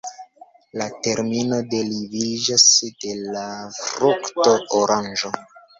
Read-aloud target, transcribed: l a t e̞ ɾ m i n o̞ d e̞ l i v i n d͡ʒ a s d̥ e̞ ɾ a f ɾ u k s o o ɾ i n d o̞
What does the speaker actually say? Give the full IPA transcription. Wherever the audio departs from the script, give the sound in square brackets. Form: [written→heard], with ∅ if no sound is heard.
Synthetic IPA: l a t e̞ ɾ m i n o̞ d e̞ l i v i [n→∅] d͡ʒ a s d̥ e̞ [ɾ→l] a f ɾ u k [s→t] o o ɾ [i→a] n [d→d͡ʒ] o̞